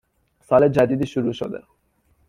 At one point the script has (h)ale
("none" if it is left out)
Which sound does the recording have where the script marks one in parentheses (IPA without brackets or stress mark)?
s